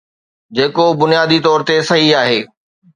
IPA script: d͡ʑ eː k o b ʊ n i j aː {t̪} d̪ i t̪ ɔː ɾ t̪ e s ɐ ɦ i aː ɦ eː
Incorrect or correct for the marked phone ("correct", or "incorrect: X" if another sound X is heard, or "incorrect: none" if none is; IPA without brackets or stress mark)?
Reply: incorrect: none